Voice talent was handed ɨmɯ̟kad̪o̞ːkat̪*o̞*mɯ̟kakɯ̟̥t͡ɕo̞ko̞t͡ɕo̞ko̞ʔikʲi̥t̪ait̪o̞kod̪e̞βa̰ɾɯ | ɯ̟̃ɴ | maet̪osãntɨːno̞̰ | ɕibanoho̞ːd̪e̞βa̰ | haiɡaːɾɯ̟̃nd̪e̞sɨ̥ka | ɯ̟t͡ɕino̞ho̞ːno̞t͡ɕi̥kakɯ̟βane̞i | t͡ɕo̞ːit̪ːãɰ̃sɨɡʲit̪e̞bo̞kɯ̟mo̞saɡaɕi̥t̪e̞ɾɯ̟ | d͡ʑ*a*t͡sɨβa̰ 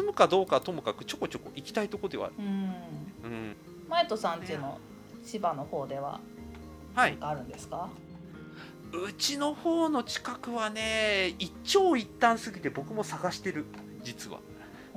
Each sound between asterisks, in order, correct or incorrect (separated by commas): correct, incorrect